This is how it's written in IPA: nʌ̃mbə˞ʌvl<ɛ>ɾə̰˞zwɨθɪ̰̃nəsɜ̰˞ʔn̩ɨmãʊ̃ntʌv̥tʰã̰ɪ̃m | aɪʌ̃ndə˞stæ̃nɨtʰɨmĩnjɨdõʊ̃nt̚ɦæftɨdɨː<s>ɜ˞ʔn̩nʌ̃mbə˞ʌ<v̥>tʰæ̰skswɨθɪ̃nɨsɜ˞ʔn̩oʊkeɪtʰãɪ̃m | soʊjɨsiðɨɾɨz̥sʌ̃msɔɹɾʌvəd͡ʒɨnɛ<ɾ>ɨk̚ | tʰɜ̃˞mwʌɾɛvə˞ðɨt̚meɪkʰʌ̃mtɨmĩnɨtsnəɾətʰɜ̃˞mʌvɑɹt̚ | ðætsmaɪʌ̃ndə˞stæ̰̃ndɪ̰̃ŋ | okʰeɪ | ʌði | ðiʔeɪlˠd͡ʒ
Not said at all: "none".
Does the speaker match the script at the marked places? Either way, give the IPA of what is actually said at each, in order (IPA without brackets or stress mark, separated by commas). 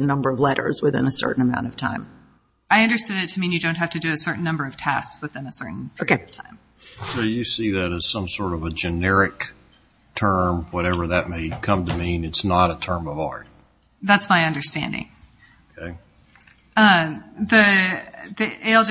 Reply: ɛ, s, v̥, ɹ